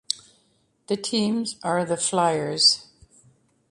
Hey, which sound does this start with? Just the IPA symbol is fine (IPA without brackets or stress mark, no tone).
ð